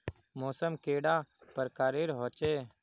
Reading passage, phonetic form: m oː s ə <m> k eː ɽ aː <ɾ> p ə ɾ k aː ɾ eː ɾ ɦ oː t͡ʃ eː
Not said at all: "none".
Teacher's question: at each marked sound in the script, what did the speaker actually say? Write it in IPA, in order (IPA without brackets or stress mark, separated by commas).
m, none